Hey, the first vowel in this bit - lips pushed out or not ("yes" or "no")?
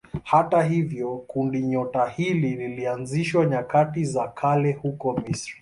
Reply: no